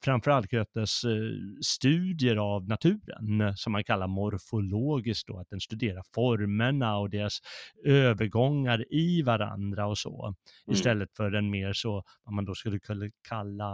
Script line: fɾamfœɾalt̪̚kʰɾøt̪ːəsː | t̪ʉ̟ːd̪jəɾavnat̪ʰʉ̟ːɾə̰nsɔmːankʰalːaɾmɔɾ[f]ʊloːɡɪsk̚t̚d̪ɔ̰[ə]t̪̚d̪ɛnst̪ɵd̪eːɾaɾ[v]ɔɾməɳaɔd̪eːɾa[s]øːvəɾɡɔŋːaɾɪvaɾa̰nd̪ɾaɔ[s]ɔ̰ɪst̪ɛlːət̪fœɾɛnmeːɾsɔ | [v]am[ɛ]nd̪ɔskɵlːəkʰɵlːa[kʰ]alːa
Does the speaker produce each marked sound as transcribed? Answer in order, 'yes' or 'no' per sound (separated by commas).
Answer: yes, no, no, yes, yes, yes, no, yes